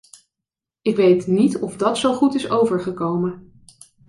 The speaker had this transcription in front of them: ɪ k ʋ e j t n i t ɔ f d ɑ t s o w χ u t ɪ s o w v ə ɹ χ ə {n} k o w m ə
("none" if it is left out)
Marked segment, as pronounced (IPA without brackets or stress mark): none